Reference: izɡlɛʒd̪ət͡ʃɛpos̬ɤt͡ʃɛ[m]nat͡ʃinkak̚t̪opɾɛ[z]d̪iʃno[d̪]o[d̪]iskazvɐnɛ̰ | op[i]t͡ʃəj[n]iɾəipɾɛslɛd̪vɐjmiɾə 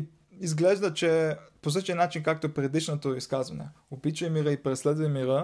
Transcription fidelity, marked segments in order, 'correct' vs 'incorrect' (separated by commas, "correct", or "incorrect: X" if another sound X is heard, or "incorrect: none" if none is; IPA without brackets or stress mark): incorrect: none, incorrect: none, incorrect: t̪, incorrect: none, correct, incorrect: m